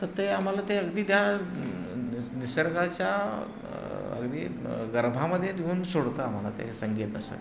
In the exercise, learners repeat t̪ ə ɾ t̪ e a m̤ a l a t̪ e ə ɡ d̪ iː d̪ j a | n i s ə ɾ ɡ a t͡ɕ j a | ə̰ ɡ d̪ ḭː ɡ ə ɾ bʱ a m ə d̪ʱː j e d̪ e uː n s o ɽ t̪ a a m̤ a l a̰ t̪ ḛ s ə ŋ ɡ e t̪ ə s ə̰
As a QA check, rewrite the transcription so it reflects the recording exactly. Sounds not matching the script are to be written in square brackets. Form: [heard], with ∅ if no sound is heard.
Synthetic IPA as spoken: t̪ ə ɾ t̪ e a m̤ a l a t̪ e ə ɡ d̪ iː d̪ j a | n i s ə ɾ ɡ a t͡ɕ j a | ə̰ ɡ d̪ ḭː ɡ ə ɾ bʱ a m ə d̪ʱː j e d̪ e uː n s o ɽ t̪ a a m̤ a l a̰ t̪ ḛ s ə ŋ ɡ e t̪ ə s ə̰